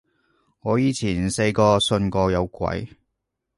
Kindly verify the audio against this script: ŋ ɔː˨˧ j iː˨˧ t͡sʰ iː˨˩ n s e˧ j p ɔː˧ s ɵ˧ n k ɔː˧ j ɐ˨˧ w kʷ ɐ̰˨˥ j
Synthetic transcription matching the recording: ŋ ɔː˨˧ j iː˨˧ t͡sʰ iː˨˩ n s e˧ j k ɔː˧ s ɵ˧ n k ɔː˧ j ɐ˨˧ w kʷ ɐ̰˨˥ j